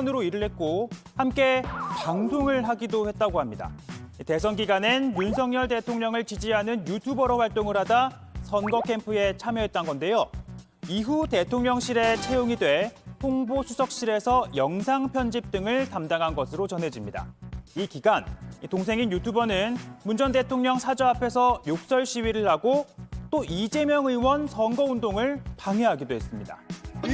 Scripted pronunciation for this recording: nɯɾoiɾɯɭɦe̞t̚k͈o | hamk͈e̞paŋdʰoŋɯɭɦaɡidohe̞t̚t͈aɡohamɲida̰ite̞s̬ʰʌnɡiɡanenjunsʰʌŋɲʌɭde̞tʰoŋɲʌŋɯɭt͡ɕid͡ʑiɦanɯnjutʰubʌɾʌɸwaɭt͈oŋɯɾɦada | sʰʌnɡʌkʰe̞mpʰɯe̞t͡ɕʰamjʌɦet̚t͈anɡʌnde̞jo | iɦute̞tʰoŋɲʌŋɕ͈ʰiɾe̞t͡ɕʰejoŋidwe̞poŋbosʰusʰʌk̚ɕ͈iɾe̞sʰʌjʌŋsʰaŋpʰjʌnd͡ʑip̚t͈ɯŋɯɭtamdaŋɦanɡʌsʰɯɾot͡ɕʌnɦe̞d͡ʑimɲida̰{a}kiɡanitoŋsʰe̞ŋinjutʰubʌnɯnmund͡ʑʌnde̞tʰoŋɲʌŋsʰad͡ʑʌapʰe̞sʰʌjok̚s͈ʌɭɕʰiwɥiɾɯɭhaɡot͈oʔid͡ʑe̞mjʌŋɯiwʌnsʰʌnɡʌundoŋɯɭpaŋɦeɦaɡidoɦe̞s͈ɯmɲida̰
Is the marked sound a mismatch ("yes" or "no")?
yes